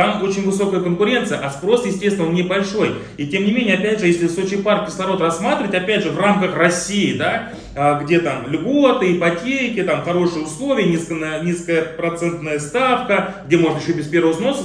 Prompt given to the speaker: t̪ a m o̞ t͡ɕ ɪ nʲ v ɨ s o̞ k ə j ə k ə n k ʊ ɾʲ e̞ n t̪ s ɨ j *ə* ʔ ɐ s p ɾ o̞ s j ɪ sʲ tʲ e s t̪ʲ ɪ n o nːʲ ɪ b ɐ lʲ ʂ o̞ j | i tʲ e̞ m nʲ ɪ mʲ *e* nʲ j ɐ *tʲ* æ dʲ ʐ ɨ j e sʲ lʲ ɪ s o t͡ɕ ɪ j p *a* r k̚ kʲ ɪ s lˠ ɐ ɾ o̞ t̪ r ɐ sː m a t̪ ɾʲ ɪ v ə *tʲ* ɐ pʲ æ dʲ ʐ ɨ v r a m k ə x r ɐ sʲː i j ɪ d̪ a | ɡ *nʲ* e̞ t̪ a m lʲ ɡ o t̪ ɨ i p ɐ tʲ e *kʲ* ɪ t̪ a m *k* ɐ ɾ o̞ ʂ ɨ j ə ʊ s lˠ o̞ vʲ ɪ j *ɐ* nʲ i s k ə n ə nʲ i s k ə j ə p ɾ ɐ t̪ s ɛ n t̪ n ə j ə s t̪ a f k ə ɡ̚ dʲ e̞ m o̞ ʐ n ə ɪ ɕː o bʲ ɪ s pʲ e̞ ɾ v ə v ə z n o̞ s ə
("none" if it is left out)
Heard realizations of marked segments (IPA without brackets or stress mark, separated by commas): ə, e, pʲ, a, tʲ, dʲ, kʲ, x, ə